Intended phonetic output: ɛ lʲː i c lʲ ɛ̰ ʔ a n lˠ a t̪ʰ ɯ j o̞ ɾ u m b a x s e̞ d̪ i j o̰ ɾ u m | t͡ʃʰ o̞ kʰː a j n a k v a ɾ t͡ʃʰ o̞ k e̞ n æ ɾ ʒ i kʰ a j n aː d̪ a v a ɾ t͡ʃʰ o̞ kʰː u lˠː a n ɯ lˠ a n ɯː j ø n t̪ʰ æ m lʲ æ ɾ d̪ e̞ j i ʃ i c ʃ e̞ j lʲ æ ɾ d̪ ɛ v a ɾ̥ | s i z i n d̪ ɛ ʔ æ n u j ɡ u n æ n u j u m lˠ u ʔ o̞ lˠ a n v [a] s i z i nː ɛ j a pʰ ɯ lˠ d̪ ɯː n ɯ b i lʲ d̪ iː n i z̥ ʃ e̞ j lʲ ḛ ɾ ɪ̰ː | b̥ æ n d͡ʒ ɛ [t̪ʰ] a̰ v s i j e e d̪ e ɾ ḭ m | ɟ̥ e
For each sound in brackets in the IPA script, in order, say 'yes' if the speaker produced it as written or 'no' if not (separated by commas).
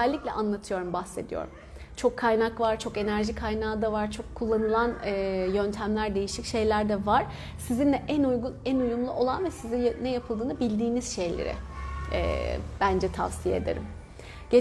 no, yes